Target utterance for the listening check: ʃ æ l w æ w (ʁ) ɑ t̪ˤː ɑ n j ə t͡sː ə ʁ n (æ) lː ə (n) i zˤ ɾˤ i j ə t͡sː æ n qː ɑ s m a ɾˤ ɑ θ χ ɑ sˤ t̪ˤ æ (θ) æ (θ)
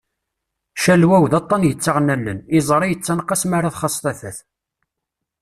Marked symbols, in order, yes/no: no, yes, yes, yes, yes

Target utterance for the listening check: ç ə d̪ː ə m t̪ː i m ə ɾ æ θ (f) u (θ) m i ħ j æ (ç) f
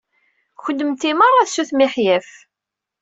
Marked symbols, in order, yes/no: no, yes, no

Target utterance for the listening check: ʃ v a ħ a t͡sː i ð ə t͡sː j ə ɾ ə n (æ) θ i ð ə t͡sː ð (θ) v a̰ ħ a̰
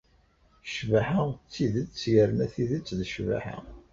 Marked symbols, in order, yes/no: yes, no

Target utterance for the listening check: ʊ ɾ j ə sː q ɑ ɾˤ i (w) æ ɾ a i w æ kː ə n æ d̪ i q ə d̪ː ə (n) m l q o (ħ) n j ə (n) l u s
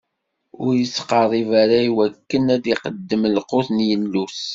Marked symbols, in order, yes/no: no, no, no, yes

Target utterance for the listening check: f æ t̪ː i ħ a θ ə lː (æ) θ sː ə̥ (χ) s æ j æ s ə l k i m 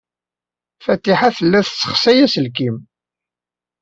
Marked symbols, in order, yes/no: yes, yes

